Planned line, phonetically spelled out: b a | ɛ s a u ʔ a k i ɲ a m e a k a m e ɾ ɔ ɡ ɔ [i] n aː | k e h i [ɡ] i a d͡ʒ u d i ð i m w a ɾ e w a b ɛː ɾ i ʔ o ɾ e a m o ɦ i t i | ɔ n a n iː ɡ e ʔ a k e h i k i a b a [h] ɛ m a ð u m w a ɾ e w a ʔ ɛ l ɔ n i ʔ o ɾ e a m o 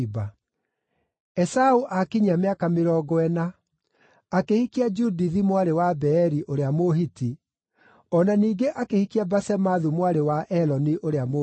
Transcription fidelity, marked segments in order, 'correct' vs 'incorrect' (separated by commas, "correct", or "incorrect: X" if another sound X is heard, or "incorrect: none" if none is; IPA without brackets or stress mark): incorrect: ɛ, incorrect: k, incorrect: s